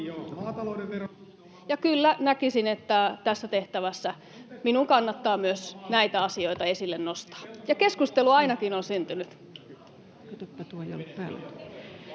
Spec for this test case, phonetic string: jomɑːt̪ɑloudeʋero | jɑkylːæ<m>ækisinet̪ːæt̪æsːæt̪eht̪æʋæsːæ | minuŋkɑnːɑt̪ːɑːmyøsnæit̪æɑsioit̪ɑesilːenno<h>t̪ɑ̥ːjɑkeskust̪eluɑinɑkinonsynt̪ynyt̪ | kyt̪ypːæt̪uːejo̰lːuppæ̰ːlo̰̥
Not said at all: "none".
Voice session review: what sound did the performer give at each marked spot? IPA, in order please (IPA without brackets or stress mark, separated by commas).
n, s